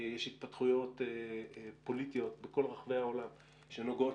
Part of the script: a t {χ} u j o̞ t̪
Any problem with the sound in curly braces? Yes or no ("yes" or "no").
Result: no